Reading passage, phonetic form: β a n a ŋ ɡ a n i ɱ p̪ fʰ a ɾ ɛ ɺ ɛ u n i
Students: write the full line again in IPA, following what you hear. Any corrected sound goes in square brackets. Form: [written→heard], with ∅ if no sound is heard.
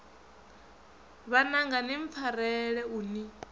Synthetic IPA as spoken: β a n a ŋ ɡ a n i ɱ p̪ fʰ a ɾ ɛ ɺ ɛ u n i